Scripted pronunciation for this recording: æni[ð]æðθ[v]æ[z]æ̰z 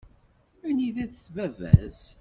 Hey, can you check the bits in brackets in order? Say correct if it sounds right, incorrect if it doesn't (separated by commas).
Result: correct, correct, incorrect